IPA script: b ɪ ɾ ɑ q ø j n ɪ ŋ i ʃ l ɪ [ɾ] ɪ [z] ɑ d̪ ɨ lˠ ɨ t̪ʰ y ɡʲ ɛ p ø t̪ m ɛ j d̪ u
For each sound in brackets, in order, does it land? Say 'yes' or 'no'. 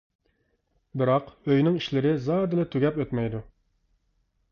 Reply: yes, yes

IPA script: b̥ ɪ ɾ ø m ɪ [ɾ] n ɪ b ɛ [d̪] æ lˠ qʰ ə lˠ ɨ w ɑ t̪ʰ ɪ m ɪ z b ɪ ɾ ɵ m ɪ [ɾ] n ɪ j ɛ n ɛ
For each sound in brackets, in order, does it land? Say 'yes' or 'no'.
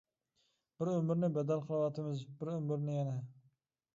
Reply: yes, yes, yes

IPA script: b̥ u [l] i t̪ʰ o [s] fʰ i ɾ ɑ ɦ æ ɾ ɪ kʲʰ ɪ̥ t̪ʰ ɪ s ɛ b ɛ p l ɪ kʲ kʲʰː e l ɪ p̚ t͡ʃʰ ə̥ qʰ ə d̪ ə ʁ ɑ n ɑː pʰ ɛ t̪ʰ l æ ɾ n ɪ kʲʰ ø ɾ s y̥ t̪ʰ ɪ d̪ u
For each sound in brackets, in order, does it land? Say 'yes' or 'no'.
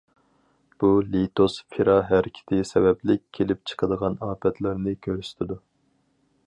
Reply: yes, yes

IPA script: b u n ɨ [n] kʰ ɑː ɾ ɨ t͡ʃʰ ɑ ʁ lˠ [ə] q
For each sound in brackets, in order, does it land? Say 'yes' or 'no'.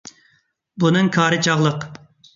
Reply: no, yes

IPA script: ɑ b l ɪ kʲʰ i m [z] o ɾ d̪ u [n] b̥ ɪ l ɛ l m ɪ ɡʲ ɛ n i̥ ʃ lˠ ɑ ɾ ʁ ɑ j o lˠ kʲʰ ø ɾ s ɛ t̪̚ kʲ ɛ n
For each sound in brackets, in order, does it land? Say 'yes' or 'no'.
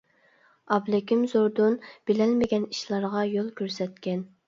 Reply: yes, yes

